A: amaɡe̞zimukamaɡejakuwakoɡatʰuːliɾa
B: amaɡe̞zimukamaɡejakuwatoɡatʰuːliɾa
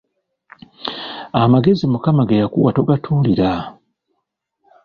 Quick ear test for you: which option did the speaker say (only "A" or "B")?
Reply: B